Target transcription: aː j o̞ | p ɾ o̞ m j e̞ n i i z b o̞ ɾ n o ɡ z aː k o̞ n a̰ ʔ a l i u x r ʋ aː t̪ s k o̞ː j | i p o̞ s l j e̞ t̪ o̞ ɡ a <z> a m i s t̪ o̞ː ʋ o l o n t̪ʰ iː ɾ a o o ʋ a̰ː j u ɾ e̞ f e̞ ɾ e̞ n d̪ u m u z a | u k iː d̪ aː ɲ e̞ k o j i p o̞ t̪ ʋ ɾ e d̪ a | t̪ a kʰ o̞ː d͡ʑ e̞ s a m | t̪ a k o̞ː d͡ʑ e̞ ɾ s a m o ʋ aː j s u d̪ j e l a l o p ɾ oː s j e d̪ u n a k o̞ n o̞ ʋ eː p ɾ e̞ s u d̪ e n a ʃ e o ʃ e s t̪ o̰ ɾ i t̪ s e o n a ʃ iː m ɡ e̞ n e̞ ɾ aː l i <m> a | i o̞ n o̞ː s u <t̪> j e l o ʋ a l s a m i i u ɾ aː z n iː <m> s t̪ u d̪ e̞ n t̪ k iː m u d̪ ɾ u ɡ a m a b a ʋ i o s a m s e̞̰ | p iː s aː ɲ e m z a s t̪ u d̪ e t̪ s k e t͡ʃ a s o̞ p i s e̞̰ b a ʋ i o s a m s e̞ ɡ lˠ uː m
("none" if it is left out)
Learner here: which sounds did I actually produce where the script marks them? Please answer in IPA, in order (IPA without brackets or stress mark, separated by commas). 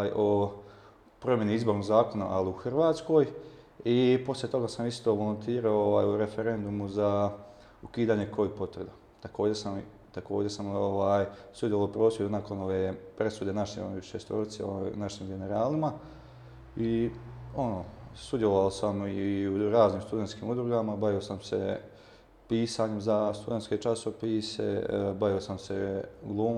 s, m, d̪, m